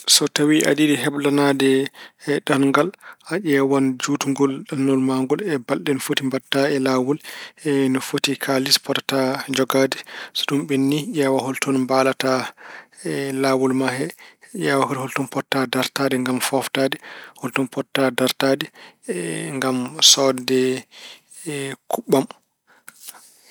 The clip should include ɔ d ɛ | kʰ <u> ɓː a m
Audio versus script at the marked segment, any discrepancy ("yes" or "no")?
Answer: no